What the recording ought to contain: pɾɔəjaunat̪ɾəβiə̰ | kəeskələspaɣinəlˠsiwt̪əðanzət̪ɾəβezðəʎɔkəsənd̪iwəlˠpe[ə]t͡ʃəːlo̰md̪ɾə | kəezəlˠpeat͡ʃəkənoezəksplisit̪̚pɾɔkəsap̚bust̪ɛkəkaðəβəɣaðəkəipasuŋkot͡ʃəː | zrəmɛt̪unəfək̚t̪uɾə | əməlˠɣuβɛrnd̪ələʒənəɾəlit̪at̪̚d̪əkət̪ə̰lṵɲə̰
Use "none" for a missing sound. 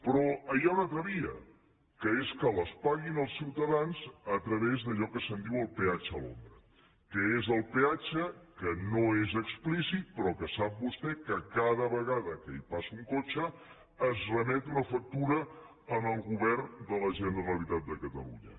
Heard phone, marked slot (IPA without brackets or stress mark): a